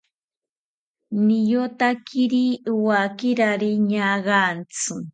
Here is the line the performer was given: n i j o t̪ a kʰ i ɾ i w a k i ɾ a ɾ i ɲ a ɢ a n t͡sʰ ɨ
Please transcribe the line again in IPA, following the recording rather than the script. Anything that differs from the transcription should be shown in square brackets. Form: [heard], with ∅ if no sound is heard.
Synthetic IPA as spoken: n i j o t̪ a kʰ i ɾ i w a k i ɾ a ɾ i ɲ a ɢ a n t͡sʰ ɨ